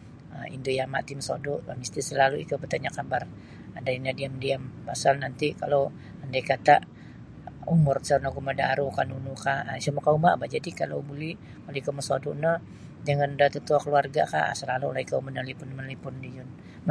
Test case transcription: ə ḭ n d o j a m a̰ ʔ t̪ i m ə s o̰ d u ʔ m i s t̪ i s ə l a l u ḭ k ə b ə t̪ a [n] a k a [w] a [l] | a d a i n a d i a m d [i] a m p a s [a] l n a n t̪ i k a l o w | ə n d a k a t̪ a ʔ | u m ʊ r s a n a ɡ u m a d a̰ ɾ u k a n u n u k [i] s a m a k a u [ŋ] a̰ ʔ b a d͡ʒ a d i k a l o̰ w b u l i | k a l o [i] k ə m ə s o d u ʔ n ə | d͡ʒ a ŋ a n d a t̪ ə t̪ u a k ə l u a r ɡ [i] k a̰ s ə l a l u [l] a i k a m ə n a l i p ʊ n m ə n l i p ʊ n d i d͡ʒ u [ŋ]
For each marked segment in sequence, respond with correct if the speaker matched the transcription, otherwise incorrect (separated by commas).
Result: incorrect, incorrect, incorrect, correct, correct, incorrect, incorrect, correct, incorrect, correct, incorrect